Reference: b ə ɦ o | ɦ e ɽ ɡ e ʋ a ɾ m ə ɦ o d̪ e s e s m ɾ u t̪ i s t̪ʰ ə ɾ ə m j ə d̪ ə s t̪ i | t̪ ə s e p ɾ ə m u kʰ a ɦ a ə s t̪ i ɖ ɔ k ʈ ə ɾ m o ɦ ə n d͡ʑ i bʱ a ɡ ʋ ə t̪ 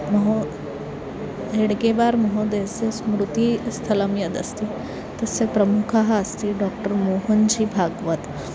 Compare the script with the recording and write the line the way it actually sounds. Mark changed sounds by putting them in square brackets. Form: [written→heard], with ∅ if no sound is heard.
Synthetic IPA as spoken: [b→m] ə ɦ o | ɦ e ɽ ɡ e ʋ a ɾ m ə ɦ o d̪ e s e s m ɾ u t̪ i s t̪ʰ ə [ɾ→l] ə m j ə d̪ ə s t̪ i | t̪ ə s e p ɾ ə m u kʰ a ɦ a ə s t̪ i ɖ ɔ k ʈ ə ɾ m o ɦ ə n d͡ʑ i bʱ a ɡ ʋ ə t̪